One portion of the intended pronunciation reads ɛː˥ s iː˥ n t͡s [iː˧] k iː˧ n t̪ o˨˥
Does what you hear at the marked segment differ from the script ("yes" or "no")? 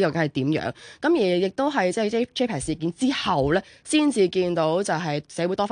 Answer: no